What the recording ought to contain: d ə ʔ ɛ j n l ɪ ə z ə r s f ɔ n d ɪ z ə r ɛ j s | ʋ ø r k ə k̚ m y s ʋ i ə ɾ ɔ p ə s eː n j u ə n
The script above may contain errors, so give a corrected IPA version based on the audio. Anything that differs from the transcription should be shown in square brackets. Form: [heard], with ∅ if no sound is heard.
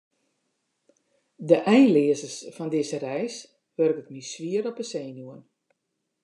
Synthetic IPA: d ə ʔ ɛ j n l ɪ ə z ə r s f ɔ n d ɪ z ə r ɛ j s | ʋ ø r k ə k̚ m [i] s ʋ i ə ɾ ɔ p ə s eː n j u ə n